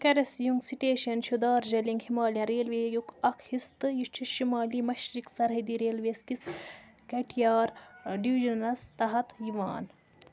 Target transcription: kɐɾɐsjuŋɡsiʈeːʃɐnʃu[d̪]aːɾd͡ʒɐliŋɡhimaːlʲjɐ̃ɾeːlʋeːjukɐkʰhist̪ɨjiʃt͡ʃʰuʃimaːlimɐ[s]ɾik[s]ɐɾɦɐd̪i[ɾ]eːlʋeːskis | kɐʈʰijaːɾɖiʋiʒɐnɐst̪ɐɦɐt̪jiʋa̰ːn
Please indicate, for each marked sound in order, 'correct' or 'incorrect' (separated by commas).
correct, incorrect, correct, correct